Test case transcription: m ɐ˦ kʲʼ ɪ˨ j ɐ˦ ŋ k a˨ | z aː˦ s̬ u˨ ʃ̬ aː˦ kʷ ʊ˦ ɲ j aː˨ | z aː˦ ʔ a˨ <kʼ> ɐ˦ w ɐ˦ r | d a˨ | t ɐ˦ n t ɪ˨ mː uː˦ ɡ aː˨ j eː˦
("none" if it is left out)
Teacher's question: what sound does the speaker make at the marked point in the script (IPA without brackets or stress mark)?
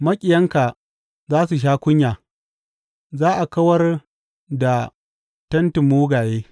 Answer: k